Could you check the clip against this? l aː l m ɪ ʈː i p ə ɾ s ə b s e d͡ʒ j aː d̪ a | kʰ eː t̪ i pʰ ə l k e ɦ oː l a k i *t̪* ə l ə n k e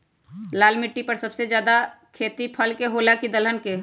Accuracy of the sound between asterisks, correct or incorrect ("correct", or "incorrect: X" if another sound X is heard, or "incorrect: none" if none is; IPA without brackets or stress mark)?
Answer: incorrect: d̪